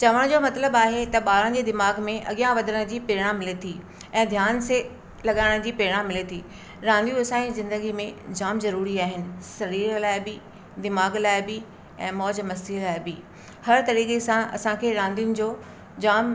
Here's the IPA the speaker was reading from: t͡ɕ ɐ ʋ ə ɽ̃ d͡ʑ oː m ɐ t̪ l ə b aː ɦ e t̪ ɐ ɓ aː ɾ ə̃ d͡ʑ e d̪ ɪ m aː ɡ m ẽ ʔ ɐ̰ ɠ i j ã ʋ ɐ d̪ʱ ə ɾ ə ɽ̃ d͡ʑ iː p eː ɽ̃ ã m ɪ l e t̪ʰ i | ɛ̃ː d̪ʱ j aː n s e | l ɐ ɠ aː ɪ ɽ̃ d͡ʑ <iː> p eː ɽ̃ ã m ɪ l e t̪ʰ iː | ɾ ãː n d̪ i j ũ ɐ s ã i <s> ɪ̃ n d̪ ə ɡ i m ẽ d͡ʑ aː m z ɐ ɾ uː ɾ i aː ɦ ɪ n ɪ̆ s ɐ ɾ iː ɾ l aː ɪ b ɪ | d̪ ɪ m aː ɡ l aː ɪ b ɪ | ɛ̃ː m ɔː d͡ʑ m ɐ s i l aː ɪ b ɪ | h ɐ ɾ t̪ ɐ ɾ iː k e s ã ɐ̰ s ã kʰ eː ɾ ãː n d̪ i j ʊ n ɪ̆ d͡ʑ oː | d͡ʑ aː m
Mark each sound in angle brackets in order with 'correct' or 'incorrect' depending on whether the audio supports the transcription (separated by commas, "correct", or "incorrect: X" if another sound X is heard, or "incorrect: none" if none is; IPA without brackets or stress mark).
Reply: correct, incorrect: z